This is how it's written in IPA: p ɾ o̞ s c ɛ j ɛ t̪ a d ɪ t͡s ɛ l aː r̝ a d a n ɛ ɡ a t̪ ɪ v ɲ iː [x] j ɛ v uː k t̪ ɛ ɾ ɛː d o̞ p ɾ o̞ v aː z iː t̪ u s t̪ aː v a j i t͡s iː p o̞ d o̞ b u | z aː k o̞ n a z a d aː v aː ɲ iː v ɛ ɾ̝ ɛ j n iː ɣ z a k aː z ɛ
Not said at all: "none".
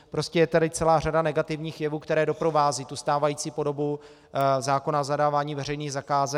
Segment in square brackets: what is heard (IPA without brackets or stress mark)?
x